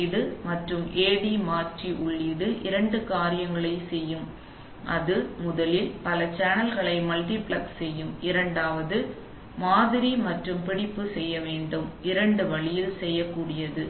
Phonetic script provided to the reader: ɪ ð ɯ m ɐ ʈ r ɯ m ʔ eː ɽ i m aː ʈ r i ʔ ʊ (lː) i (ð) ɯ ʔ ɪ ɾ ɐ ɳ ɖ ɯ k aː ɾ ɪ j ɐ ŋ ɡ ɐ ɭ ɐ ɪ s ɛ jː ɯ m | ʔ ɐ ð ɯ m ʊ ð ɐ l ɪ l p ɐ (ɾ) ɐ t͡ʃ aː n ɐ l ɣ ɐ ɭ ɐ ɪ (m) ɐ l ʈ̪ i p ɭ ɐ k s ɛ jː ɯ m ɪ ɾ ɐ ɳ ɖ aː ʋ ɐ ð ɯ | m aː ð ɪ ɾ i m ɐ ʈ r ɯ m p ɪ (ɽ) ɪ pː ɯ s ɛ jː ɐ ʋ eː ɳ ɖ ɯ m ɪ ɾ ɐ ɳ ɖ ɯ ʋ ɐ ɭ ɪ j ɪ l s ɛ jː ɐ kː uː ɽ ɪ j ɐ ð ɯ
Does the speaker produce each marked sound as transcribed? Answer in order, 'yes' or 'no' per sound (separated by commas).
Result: no, yes, no, yes, yes